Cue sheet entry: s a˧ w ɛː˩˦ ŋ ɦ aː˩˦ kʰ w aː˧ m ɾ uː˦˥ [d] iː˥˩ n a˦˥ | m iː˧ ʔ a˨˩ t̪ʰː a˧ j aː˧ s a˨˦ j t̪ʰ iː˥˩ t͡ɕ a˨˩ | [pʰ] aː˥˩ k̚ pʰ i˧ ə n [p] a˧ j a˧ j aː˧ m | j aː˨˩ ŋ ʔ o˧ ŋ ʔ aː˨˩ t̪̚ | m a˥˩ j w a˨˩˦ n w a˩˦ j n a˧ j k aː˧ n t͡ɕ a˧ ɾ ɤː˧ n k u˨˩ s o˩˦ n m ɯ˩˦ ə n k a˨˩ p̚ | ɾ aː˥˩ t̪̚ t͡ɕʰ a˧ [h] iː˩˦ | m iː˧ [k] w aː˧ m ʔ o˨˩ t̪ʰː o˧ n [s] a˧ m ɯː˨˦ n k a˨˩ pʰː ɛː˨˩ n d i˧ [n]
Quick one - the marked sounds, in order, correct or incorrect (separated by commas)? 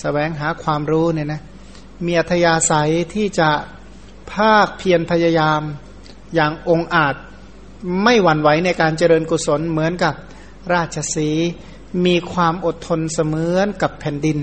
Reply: incorrect, correct, incorrect, incorrect, incorrect, correct, correct